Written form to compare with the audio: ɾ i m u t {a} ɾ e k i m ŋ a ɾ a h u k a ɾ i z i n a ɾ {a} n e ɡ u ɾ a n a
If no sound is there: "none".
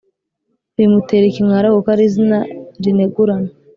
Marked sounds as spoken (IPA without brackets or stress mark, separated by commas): e, i